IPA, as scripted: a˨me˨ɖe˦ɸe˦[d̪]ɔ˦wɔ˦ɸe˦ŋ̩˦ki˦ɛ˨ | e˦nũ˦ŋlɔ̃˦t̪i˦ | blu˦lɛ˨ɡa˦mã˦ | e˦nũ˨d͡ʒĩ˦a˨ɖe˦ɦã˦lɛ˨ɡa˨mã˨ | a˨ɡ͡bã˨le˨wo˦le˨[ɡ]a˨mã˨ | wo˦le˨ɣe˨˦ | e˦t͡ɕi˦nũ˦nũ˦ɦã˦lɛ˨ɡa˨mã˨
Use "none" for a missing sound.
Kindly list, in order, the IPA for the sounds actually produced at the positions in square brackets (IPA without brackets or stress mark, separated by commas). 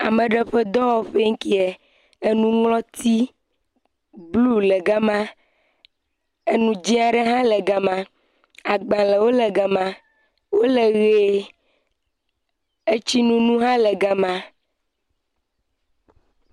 d̪, ɡ